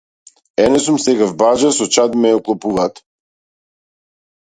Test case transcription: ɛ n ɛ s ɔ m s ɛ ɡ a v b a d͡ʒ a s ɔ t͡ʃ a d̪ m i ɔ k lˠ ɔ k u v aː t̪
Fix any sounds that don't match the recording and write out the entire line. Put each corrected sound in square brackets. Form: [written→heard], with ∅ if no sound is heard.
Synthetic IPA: ɛ n ɛ s [ɔ→u] m s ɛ ɡ a v b a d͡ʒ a s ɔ t͡ʃ a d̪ m [i→ɛ] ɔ k lˠ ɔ [k→p] u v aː t̪